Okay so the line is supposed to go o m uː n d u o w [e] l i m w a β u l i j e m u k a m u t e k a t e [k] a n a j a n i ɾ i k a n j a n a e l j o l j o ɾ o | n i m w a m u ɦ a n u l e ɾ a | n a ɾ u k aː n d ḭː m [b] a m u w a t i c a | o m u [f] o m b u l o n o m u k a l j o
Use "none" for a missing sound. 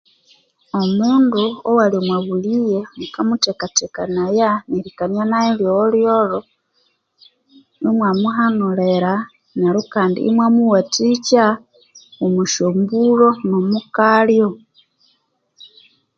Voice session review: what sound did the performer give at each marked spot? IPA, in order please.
a, k, w, ʃ

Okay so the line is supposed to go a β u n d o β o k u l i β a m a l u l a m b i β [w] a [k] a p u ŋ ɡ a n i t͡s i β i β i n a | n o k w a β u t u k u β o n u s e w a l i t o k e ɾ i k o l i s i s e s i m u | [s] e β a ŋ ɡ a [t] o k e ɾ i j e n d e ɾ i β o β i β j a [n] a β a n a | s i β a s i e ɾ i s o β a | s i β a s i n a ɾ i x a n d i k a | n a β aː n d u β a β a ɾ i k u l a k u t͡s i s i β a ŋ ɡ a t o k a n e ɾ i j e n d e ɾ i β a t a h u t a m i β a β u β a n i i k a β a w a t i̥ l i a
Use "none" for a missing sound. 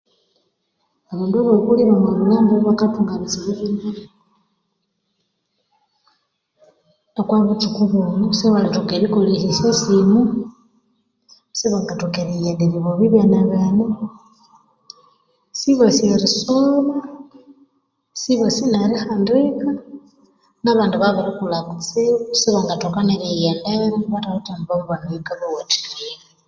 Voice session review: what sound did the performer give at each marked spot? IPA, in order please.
β, k, s, t, n

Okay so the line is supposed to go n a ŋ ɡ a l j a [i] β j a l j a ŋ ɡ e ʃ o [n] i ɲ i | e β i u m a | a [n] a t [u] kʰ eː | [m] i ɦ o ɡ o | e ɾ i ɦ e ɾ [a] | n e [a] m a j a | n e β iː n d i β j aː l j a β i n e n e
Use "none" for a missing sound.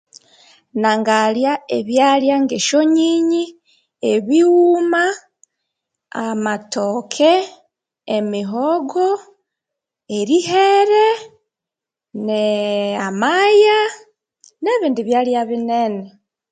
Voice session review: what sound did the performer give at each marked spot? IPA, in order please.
e, ɲ, m, o, m, e, a

